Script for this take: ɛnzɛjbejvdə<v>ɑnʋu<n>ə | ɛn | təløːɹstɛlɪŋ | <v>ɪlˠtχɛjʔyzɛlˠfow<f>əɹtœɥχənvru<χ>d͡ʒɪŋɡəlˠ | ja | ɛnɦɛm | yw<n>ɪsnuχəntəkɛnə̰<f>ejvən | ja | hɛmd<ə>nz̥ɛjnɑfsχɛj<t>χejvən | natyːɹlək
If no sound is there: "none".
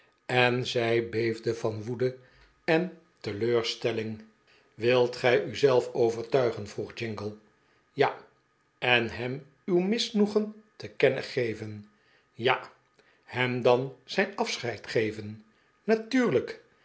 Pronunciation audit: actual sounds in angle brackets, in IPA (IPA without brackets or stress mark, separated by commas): v, d, ʋ, v, χ, m, χ, ɑ, t